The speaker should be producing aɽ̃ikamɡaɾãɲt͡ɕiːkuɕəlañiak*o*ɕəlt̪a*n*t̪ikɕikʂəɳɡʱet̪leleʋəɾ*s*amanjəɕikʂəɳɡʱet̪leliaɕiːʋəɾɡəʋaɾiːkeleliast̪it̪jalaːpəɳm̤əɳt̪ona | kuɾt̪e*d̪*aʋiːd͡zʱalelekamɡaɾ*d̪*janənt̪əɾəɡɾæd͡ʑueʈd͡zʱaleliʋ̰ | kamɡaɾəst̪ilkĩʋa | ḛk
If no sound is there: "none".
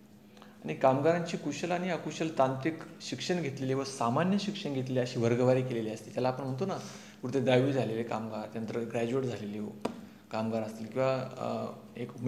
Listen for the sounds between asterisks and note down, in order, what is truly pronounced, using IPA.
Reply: u, n, s, d̪, t̪

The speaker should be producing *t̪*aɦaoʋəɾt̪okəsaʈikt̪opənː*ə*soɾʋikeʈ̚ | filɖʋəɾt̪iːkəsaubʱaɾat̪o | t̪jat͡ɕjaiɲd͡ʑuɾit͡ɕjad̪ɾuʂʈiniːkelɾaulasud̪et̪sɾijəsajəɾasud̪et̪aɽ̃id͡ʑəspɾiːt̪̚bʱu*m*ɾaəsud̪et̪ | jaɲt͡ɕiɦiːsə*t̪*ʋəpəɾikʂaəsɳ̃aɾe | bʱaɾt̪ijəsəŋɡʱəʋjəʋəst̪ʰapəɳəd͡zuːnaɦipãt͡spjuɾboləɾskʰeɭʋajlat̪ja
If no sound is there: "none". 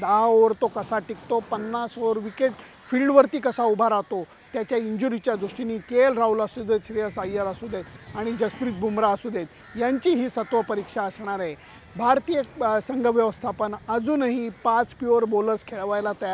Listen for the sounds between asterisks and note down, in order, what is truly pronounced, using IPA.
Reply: d̪, a, m, t̪

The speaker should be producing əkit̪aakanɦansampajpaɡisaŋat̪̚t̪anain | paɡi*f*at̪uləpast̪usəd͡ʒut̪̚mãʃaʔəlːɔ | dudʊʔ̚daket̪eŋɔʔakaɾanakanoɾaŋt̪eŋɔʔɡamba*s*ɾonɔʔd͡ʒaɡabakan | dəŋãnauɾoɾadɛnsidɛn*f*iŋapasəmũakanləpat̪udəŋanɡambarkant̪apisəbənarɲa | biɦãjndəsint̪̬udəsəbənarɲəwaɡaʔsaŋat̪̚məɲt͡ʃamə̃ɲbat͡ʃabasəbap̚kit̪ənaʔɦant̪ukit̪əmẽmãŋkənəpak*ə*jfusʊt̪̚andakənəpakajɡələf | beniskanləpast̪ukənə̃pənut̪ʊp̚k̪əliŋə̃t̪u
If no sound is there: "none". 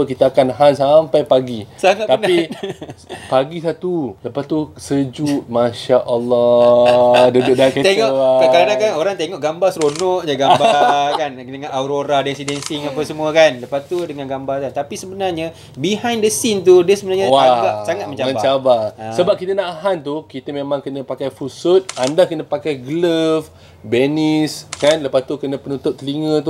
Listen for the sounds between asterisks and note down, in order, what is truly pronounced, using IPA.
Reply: s, s, s, a

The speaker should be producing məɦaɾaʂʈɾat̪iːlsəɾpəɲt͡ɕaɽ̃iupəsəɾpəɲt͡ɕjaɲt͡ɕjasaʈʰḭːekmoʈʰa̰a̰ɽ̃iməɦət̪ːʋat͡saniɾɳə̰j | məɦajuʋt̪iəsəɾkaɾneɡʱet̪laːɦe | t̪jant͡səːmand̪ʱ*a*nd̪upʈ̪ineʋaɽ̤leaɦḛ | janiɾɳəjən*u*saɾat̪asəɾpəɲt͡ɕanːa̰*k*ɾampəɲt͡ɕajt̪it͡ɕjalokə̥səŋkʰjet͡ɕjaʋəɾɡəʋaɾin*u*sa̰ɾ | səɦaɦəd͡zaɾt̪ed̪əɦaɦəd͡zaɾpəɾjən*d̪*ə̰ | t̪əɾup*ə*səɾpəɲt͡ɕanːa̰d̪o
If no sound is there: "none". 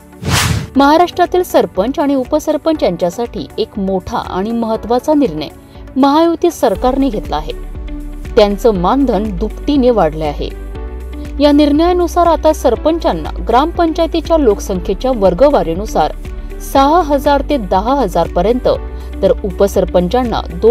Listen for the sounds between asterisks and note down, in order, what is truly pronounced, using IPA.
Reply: ə, u, ɡ, u, t̪, ə

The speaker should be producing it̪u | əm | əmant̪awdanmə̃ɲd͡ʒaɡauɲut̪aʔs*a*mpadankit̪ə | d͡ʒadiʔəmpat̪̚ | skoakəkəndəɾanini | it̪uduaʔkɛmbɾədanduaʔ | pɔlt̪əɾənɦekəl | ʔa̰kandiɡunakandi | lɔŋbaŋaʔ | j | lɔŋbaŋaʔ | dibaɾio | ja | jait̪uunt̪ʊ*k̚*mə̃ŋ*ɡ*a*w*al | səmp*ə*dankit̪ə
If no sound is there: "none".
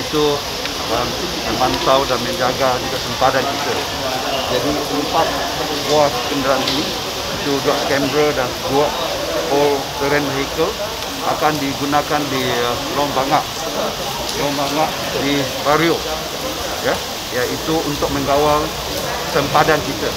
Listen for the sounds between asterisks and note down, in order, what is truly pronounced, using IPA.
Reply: ə, k̚, ɡ, w, a

